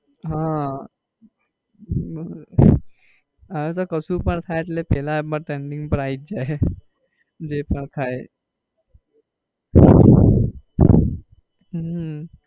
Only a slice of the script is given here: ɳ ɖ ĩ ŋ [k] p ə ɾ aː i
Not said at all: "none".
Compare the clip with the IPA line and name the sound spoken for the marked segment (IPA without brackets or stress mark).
ɡ